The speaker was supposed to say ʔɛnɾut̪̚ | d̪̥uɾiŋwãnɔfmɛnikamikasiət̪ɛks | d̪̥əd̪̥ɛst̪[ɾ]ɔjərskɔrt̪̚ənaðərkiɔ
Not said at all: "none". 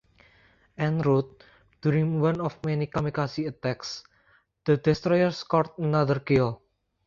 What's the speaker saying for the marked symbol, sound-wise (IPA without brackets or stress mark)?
ɾ